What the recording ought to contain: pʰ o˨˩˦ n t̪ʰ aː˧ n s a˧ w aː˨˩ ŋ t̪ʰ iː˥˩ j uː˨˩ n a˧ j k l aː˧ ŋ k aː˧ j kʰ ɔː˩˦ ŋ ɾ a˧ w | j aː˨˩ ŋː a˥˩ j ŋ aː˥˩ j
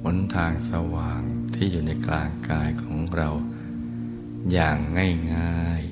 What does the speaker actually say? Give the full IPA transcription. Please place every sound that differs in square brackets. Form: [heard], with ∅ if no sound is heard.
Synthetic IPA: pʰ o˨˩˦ n t̪ʰ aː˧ [ŋ] s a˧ w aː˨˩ ŋ t̪ʰ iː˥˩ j uː˨˩ n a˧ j k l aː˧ ŋ k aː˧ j kʰ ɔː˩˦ ŋ ɾ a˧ w | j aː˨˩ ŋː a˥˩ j ŋ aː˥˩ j